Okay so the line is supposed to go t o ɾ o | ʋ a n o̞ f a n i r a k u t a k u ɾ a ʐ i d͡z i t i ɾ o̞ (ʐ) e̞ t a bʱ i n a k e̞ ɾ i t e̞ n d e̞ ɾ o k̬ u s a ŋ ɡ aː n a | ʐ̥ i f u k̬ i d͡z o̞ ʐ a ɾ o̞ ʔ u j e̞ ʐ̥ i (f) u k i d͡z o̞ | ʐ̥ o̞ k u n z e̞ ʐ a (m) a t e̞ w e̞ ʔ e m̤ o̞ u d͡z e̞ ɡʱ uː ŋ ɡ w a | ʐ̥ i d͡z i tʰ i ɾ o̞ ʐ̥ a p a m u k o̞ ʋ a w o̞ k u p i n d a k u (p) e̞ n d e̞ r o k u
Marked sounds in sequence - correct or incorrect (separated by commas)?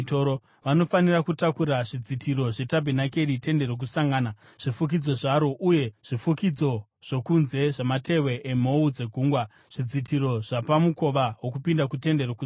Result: correct, correct, correct, incorrect